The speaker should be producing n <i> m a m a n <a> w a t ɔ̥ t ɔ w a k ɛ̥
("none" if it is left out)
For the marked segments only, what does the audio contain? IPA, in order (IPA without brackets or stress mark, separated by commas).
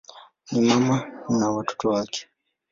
i, a